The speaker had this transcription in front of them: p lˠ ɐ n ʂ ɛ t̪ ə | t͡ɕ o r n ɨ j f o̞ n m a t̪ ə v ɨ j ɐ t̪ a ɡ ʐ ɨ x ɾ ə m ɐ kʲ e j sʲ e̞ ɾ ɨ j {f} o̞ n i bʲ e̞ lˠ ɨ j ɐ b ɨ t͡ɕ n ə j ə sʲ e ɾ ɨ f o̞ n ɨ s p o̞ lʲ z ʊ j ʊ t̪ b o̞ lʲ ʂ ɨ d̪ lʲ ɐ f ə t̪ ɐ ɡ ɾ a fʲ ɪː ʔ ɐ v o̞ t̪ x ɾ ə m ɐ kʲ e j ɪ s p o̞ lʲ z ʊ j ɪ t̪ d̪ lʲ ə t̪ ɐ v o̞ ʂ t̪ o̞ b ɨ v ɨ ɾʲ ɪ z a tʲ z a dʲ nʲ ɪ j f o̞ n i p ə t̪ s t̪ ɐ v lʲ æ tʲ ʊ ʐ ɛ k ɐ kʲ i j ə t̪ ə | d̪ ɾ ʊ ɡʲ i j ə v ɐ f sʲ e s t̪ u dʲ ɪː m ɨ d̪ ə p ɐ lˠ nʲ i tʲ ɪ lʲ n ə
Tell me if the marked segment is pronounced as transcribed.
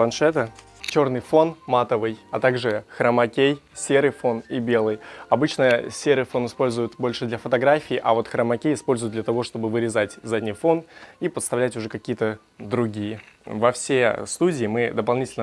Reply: yes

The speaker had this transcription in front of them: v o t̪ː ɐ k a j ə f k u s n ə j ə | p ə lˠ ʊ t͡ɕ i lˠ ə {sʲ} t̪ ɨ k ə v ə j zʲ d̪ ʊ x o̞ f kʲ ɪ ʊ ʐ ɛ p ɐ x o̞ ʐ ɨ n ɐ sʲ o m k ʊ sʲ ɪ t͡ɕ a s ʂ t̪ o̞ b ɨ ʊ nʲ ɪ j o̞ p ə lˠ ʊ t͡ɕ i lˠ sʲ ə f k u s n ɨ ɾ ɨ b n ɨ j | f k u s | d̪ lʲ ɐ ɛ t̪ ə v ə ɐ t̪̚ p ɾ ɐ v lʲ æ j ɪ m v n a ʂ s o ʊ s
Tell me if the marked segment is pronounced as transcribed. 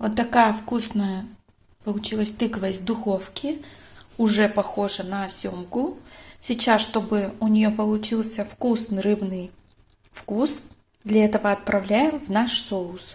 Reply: yes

